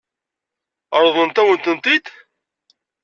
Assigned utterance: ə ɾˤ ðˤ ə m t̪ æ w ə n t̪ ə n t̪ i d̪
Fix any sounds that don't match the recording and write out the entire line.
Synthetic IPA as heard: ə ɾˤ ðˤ ə n t̪ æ w ə n t̪ ə n t̪ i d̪